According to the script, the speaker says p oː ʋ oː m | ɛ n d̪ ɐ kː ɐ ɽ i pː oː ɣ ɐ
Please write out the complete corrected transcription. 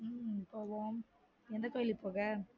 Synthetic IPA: p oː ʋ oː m | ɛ n d̪ ɐ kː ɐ l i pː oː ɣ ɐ